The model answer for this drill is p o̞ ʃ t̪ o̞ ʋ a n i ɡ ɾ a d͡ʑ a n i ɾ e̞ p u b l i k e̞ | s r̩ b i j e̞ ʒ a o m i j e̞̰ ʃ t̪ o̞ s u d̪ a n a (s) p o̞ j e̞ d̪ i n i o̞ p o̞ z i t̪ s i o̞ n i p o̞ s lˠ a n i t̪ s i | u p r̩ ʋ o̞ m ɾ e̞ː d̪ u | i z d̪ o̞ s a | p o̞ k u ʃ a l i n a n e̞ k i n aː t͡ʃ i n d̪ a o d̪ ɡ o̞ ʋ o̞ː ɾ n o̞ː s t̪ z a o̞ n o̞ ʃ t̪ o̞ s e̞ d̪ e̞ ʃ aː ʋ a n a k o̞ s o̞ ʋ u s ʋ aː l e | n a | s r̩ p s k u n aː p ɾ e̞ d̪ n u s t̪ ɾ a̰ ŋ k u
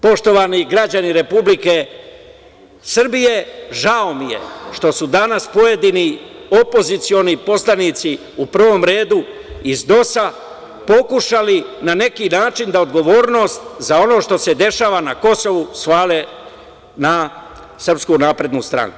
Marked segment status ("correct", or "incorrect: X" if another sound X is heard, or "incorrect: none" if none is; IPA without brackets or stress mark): correct